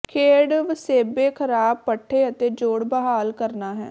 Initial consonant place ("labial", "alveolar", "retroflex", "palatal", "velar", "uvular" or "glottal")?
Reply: velar